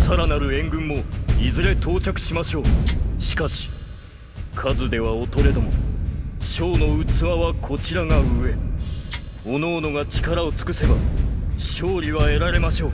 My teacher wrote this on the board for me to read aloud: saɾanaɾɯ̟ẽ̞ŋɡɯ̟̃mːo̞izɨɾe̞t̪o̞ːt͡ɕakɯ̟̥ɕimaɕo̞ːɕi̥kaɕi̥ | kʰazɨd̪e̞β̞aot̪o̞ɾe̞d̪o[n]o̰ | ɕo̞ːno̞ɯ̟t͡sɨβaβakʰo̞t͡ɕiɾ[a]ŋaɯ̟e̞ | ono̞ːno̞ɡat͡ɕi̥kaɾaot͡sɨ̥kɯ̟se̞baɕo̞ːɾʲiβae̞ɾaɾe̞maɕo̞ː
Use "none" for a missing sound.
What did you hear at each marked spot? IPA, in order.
m, a

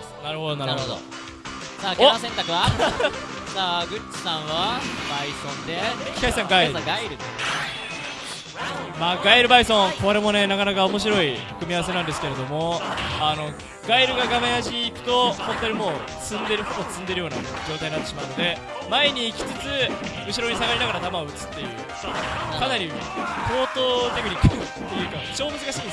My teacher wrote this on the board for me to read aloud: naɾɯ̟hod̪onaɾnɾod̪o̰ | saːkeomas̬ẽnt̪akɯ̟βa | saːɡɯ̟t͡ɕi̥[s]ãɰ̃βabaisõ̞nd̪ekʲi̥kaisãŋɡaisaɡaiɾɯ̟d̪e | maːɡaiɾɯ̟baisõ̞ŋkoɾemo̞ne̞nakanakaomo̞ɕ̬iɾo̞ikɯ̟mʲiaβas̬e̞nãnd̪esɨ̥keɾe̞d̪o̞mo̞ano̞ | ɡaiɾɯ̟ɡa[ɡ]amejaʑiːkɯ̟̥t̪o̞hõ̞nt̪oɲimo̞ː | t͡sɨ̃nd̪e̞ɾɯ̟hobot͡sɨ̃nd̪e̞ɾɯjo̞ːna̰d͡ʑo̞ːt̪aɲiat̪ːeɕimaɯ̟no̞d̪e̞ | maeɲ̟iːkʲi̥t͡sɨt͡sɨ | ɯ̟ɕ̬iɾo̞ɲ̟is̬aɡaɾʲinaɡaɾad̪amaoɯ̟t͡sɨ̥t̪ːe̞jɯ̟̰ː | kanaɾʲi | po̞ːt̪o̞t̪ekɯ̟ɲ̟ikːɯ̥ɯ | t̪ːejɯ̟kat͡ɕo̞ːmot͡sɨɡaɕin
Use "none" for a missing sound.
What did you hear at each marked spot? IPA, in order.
s, ɡ

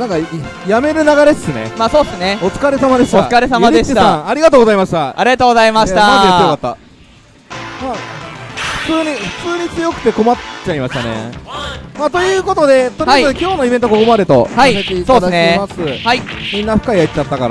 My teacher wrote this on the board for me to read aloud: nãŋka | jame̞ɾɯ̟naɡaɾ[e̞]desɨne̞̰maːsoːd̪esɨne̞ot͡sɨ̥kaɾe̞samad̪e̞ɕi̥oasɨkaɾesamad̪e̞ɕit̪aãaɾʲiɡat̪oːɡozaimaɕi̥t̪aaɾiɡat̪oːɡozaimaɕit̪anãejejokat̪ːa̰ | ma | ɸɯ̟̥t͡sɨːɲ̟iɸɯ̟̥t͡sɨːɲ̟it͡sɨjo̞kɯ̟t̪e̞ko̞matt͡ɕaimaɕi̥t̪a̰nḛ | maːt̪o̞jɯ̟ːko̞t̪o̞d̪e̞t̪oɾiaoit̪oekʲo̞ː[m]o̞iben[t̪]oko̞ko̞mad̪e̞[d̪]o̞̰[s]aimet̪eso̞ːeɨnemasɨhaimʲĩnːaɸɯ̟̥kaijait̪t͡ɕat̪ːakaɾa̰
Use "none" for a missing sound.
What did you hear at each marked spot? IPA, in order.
e̞, n, t̪, t̪, h

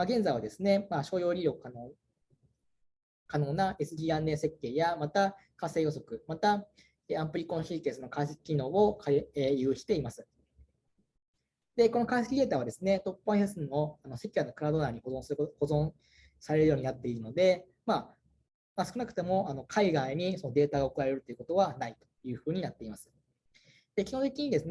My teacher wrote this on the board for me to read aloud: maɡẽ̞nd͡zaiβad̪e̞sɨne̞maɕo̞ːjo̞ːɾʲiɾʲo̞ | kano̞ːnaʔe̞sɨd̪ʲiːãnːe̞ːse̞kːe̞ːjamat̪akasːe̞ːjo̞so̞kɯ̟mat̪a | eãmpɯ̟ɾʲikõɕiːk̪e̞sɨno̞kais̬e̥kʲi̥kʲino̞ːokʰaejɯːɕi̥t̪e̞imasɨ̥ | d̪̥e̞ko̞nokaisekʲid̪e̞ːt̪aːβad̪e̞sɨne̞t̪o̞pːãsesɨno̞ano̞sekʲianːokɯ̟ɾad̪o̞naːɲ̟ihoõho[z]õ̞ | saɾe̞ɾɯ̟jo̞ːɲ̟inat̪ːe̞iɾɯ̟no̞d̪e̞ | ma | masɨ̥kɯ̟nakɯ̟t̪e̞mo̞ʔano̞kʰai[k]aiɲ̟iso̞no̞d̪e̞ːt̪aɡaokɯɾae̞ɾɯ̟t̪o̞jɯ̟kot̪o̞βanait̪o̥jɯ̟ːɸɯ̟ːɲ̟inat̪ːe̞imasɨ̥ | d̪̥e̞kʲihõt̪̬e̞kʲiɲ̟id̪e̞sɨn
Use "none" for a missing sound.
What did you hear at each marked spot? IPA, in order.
z, ɡ

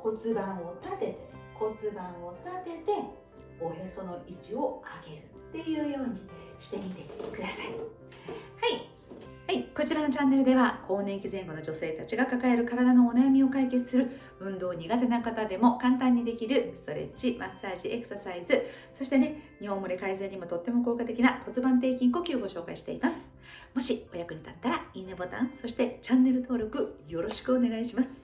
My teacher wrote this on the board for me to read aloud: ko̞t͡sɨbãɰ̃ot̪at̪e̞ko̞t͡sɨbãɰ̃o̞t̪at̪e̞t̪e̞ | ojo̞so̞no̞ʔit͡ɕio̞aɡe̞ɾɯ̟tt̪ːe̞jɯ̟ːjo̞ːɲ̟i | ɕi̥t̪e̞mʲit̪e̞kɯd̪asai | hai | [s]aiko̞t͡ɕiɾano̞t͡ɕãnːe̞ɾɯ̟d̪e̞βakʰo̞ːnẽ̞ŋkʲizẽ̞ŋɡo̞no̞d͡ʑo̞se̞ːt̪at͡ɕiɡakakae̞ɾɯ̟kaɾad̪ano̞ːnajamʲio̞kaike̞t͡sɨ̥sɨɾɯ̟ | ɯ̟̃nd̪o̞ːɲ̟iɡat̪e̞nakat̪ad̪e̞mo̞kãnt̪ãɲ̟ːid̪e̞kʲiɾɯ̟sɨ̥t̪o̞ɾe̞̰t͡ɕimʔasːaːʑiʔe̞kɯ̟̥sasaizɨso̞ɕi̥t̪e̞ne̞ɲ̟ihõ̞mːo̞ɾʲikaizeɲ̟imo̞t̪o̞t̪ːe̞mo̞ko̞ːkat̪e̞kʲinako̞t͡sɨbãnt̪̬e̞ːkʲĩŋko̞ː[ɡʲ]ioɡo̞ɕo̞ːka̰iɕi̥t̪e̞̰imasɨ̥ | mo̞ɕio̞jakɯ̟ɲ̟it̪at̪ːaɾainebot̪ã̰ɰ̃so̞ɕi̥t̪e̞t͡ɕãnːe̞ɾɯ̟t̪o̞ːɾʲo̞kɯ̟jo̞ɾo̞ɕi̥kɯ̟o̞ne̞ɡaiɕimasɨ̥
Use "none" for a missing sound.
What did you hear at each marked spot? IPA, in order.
h, kʲ

